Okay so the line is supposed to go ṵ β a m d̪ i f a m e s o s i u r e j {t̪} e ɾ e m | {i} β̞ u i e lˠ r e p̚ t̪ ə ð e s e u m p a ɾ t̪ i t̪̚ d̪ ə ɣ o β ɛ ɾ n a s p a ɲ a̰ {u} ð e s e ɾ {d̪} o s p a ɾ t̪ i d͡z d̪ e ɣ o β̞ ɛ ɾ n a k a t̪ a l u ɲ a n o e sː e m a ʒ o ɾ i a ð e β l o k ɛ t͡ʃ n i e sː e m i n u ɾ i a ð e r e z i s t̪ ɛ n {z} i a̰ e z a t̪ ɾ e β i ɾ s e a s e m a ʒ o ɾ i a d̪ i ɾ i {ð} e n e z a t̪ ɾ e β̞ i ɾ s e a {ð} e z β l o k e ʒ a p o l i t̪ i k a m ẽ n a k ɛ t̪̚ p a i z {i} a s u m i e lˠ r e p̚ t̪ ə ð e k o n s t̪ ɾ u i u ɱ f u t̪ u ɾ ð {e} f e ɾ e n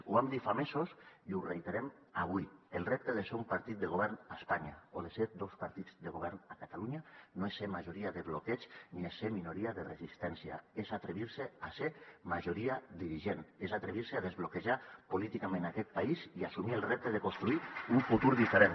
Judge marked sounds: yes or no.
yes, no, no, yes, no, no, yes, yes, no

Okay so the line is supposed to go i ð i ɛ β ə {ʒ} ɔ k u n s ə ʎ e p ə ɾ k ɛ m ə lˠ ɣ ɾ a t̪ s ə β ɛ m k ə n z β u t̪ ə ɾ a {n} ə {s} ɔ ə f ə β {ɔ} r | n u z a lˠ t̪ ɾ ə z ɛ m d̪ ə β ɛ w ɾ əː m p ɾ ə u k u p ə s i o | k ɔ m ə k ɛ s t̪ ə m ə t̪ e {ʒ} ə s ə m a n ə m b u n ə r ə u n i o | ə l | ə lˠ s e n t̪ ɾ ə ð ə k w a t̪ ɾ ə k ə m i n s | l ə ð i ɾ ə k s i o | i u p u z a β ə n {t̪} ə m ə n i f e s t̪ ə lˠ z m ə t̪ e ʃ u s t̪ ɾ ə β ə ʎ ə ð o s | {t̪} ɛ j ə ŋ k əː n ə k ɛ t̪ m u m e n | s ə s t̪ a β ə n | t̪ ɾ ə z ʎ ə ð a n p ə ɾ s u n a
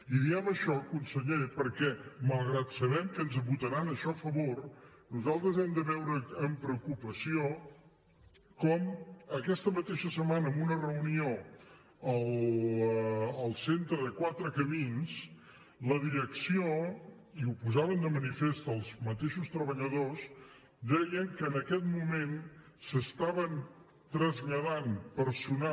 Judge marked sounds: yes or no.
no, yes, no, no, no, no, no

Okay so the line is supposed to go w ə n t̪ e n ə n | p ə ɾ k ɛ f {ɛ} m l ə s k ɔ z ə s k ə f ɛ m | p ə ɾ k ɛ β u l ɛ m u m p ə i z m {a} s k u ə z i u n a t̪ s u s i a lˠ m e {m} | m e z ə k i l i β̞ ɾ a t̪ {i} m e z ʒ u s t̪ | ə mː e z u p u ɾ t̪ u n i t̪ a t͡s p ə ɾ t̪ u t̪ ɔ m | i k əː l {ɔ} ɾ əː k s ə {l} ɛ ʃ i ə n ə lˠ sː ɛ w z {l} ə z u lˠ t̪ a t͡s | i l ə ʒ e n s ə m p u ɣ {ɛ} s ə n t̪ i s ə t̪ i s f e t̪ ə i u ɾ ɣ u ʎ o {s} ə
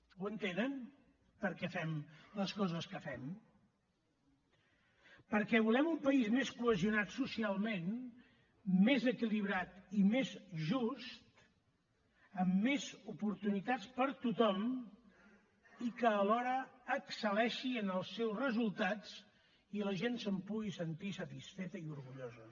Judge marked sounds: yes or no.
yes, no, no, yes, yes, yes, no, no, no

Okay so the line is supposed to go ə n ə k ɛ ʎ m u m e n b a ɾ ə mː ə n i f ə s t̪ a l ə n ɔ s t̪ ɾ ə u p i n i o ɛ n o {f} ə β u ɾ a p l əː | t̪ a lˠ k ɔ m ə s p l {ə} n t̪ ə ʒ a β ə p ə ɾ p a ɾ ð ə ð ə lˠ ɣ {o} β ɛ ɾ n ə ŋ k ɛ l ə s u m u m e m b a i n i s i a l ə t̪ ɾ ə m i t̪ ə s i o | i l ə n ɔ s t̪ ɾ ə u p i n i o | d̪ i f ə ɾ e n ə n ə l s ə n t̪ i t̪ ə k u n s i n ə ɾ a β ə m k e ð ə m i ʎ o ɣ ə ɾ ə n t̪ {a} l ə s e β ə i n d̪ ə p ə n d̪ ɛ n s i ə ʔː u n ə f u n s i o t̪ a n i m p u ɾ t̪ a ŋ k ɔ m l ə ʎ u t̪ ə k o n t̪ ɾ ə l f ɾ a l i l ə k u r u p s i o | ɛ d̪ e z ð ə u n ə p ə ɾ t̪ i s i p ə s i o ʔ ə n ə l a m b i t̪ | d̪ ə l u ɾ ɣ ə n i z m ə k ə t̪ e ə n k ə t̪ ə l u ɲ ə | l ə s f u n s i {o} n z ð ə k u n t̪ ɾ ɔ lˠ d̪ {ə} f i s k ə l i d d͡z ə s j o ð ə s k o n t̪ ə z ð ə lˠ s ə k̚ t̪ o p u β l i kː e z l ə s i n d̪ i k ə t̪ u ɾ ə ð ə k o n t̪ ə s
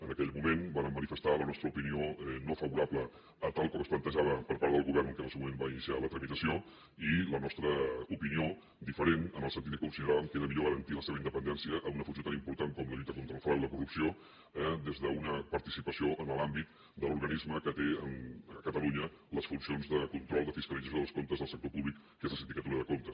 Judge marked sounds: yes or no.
yes, yes, no, no, yes, yes

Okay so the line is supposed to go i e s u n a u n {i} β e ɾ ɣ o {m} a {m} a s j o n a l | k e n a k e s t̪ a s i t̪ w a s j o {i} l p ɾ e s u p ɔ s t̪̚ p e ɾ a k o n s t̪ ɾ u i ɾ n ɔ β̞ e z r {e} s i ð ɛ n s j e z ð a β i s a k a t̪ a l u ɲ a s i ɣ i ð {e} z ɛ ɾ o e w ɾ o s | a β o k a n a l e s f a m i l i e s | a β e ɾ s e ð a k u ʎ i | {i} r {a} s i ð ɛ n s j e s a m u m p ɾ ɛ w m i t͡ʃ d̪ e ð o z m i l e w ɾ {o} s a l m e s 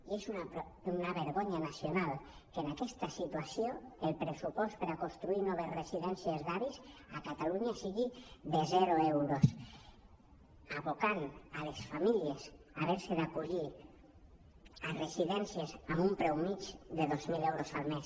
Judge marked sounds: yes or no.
no, no, no, no, yes, yes, no, no, yes

